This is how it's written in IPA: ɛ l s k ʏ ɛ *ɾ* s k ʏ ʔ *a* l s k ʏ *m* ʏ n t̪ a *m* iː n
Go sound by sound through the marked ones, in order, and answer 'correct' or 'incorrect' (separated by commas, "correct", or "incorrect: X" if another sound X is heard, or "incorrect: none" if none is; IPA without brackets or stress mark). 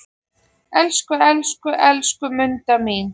incorrect: l, incorrect: ɛ, correct, correct